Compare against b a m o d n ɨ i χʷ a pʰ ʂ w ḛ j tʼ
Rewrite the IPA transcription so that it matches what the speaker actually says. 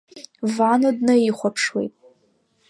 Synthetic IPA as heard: v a n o d n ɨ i χʷ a pʰ ʂ w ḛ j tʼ